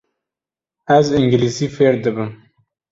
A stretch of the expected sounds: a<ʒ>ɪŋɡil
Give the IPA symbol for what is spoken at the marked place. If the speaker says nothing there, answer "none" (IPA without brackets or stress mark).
z